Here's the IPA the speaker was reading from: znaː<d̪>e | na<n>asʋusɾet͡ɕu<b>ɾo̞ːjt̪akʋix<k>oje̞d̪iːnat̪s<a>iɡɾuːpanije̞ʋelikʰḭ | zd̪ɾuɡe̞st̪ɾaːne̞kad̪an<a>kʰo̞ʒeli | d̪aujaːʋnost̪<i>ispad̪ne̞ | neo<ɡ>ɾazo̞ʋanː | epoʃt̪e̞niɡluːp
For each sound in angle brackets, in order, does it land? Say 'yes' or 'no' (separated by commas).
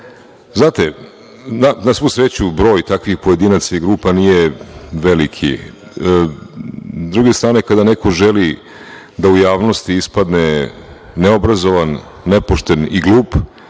no, yes, yes, no, yes, no, yes, no